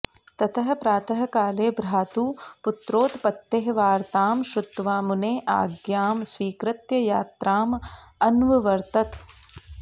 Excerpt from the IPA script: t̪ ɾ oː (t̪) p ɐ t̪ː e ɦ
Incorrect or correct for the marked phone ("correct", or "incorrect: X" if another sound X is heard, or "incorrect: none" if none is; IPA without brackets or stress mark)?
correct